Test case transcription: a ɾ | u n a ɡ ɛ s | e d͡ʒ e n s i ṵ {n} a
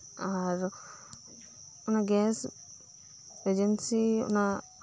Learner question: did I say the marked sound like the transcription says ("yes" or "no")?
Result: yes